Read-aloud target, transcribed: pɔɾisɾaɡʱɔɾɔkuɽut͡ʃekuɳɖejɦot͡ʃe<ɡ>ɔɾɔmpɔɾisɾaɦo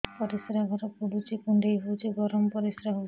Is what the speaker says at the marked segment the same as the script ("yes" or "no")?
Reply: yes